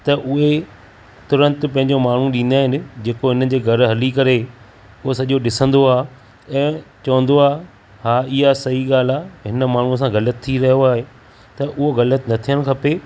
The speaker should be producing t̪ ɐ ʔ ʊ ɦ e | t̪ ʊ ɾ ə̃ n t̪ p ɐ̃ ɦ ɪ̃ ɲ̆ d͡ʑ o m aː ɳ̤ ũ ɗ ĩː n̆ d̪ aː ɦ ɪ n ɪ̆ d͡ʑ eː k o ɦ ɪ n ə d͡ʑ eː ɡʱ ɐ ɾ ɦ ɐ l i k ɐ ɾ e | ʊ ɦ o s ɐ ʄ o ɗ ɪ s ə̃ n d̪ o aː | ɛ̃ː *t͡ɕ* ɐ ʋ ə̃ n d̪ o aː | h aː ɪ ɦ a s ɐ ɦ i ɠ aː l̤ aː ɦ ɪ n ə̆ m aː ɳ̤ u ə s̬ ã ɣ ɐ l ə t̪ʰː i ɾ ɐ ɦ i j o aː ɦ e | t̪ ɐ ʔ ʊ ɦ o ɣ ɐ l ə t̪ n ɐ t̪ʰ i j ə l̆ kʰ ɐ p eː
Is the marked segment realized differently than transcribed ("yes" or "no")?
no